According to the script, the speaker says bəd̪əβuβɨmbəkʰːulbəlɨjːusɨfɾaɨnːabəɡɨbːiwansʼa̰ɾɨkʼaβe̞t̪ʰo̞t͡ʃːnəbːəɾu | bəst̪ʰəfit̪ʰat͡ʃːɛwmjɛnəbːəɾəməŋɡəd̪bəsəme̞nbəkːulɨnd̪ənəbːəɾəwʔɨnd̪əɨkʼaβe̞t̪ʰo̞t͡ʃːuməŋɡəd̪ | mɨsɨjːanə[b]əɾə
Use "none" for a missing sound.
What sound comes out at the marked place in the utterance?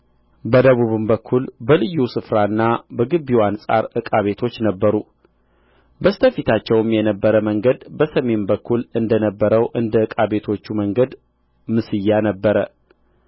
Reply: bː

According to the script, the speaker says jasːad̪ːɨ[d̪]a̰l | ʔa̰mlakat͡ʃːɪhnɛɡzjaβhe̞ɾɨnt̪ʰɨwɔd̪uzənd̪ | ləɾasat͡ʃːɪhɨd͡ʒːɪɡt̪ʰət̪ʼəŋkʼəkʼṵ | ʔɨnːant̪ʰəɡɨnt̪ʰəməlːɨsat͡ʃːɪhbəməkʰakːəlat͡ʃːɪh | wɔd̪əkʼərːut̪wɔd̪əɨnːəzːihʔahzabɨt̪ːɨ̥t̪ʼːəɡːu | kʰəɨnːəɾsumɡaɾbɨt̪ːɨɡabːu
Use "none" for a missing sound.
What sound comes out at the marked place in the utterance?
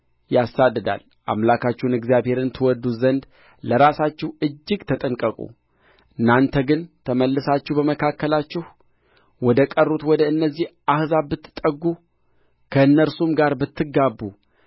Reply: d̪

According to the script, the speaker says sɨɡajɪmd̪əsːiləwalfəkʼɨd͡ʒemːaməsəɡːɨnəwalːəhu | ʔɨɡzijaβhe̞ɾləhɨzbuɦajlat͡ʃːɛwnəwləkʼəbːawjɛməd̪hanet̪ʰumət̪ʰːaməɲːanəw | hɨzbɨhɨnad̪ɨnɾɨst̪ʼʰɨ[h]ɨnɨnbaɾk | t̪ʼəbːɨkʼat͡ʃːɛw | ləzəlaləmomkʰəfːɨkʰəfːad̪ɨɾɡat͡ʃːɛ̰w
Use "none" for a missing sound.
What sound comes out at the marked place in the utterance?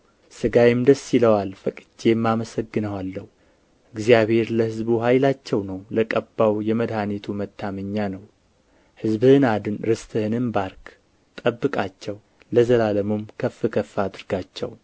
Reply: h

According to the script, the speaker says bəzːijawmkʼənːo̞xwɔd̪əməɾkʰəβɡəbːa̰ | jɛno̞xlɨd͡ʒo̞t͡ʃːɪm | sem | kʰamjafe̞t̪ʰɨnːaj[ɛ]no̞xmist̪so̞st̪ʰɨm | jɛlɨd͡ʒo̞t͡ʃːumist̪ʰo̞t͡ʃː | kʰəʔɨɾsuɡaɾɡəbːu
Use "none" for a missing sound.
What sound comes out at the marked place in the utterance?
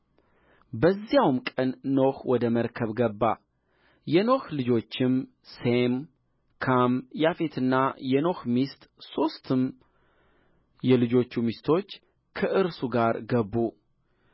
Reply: ɛ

